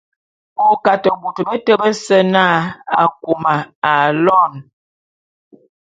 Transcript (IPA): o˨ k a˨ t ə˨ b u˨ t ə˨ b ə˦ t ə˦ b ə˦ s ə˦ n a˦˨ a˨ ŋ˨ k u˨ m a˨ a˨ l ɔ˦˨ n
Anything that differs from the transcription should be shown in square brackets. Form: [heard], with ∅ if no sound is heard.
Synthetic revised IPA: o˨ k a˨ t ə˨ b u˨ t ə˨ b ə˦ t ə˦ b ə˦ s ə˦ n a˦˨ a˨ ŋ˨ k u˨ m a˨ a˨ l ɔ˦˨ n